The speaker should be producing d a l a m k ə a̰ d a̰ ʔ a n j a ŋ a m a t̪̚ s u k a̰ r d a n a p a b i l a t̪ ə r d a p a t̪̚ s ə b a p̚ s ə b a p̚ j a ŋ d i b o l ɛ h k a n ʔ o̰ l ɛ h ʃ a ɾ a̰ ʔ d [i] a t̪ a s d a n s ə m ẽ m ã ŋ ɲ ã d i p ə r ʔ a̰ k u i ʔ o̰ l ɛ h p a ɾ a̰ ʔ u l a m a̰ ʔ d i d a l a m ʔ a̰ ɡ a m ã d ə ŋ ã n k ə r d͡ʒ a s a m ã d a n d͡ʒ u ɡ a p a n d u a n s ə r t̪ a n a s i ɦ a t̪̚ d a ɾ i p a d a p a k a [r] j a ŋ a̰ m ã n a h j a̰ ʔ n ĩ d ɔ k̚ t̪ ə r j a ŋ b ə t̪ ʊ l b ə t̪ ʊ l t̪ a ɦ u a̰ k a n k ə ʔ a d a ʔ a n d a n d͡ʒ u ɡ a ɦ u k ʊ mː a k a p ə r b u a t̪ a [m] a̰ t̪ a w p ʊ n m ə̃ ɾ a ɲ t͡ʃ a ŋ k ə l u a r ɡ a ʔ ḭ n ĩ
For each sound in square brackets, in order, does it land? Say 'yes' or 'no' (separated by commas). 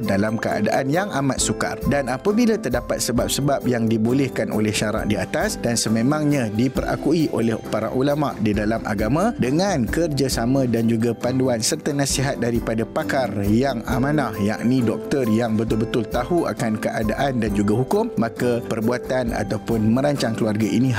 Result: yes, yes, no